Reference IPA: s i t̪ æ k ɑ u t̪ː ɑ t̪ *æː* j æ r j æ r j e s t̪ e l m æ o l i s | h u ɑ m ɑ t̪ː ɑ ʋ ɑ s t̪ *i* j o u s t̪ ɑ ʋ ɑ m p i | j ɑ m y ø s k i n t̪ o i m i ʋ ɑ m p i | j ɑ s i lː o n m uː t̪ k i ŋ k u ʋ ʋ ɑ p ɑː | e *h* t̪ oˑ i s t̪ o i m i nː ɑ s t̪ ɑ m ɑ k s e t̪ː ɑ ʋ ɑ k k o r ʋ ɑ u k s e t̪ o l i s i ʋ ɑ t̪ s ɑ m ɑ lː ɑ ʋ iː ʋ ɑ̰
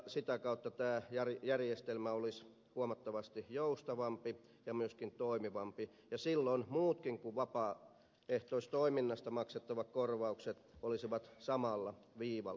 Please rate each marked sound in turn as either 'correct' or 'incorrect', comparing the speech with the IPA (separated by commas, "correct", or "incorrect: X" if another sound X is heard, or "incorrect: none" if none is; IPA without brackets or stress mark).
correct, correct, correct